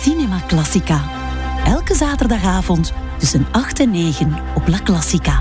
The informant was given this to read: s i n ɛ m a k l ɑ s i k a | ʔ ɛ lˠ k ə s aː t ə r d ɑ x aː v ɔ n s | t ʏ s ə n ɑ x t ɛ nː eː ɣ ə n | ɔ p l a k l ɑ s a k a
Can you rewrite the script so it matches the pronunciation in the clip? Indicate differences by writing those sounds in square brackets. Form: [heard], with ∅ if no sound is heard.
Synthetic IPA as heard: s i n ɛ m a k l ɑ s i k a | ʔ ɛ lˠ k ə [z] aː t ə r d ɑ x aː v ɔ n [t] | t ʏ s ə n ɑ x t ɛ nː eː ɣ ə n | ɔ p l a k l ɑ s [i] k a